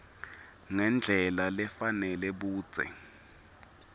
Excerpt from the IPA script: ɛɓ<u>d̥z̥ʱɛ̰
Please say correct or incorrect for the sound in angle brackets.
incorrect